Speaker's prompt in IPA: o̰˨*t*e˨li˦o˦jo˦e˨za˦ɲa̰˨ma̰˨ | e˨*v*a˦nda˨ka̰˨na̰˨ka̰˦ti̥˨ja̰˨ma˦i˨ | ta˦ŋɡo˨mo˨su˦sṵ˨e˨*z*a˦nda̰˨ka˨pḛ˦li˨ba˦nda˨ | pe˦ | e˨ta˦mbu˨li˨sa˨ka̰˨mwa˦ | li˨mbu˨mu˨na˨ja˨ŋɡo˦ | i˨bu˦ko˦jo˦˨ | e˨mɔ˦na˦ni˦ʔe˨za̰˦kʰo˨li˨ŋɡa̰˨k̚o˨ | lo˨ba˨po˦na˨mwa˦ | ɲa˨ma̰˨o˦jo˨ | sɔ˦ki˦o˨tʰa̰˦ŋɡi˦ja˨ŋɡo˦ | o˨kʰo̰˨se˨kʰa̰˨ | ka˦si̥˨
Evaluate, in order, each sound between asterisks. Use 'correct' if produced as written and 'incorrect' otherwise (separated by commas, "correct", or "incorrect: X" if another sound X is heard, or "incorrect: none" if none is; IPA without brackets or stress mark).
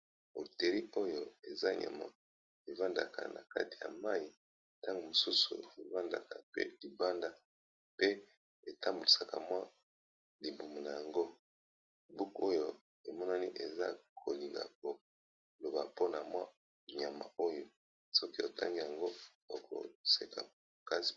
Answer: correct, correct, incorrect: v